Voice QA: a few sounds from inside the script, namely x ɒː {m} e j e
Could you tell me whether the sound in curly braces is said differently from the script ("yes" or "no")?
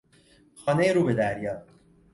yes